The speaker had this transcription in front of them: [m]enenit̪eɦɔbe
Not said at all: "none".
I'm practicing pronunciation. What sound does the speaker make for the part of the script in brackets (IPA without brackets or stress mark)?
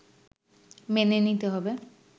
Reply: m